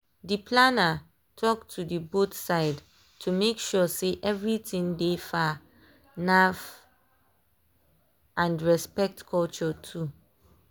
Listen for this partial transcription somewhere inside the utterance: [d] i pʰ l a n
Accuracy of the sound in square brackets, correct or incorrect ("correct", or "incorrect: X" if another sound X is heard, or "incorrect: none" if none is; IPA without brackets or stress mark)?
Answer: correct